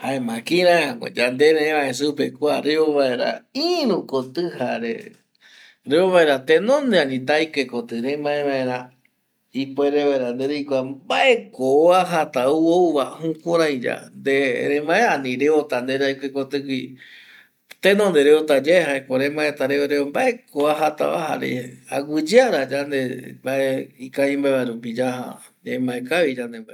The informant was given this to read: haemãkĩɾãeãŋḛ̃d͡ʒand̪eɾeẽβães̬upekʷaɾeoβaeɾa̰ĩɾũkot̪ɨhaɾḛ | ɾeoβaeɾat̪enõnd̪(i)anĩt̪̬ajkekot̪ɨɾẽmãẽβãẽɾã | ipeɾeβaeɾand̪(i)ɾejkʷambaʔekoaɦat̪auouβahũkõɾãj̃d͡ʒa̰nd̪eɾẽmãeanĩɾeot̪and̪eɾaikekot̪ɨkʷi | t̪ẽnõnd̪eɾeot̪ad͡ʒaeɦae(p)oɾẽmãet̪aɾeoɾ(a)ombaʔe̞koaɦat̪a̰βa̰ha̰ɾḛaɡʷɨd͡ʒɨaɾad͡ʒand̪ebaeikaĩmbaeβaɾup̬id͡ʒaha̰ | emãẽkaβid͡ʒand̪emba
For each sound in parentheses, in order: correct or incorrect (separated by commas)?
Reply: incorrect, incorrect, incorrect, incorrect